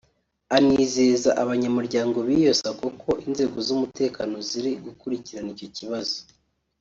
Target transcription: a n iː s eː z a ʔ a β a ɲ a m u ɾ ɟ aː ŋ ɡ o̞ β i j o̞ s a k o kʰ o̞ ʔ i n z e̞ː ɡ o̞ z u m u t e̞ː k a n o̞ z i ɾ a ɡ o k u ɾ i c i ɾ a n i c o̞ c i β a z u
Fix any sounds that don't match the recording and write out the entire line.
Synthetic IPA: a n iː z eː z a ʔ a β a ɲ a m u ɾ ɟ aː ŋ ɡ o̞ β i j o̞ s a k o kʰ o̞ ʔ i n z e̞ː ɡ o̞ z u m u t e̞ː k a n o̞ z i ɾ i ɡ u k u ɾ i c i ɾ a n i c o̞ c i β a z o